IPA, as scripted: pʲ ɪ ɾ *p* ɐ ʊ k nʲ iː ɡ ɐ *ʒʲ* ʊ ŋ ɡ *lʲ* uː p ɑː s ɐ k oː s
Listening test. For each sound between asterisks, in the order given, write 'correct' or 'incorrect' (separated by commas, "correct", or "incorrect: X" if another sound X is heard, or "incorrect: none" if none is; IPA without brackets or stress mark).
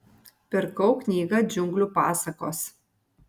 incorrect: k, incorrect: d͡ʒʲ, correct